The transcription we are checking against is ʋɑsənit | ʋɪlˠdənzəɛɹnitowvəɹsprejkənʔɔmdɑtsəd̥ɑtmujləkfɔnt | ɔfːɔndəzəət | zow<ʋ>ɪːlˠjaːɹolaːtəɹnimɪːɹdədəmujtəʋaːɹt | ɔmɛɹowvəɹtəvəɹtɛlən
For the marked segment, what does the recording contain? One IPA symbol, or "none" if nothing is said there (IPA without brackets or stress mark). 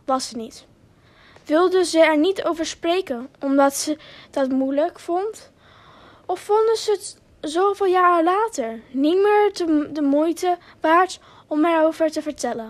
v